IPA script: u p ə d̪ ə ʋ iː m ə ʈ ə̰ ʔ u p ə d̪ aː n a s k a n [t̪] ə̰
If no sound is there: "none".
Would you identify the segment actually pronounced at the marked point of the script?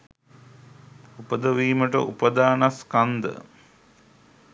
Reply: d̪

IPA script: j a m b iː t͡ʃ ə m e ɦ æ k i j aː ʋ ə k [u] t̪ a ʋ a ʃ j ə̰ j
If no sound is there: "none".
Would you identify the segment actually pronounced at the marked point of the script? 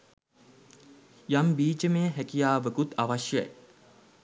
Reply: u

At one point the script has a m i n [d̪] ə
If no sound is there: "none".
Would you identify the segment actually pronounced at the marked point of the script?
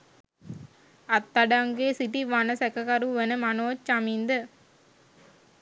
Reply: d̪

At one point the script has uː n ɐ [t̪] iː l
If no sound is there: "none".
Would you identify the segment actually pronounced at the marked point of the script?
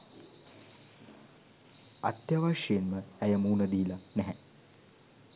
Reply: d̪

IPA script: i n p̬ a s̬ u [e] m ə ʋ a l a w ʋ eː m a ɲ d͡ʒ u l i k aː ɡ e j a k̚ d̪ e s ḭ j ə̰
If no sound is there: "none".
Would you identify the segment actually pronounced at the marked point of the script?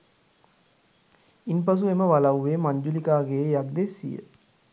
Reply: e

